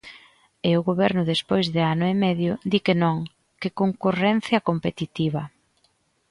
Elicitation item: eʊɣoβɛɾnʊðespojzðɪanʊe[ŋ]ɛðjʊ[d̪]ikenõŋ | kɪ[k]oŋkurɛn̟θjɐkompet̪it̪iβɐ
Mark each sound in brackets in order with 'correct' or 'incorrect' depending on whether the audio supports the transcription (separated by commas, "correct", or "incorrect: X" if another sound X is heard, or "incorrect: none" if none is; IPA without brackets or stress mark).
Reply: incorrect: m, correct, correct